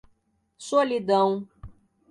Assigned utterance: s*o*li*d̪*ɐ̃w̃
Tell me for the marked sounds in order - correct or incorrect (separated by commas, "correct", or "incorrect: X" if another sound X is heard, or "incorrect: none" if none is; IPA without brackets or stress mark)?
correct, correct